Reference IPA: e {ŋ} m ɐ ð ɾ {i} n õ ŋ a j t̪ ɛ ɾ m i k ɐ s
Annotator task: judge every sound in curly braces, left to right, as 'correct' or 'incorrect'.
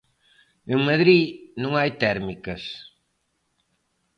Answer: correct, correct

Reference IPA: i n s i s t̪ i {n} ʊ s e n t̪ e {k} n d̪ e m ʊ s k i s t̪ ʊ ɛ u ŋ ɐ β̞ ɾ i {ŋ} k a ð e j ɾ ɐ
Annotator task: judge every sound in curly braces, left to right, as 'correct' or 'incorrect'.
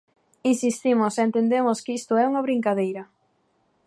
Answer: incorrect: m, incorrect: none, correct

